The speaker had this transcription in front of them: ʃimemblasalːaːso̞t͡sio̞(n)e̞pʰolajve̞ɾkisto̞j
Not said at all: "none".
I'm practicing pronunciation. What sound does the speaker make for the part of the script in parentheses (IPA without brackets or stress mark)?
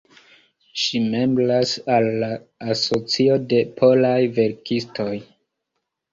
d